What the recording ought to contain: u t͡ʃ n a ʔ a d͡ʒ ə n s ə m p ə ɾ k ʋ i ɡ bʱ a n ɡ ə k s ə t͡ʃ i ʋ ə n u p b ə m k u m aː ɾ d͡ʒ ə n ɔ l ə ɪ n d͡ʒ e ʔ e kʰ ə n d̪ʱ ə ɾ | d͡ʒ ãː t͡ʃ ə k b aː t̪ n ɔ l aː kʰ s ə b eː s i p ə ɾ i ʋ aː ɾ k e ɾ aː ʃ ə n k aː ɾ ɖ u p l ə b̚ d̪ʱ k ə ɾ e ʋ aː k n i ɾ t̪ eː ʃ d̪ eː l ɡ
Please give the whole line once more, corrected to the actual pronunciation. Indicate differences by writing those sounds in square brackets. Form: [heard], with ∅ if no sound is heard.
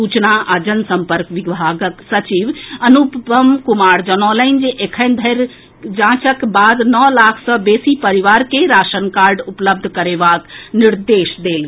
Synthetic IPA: u t͡ʃ n a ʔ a d͡ʒ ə n s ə m p ə ɾ k ʋ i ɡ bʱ a [∅] ɡ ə k s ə t͡ʃ i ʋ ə n u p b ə m k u m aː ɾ d͡ʒ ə n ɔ l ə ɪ n d͡ʒ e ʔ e kʰ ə n d̪ʱ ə ɾ | d͡ʒ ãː t͡ʃ ə k b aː [d̪] n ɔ l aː kʰ s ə b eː s i p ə ɾ i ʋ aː ɾ k e ɾ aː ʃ ə n k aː ɾ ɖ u p l ə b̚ d̪ʱ k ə ɾ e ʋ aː k n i ɾ [d̪] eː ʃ d̪ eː l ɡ